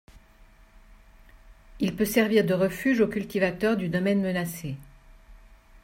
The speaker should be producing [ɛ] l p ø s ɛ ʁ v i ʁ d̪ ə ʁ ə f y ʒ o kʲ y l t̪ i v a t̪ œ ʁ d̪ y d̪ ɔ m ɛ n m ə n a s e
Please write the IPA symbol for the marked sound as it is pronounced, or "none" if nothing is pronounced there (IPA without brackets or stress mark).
i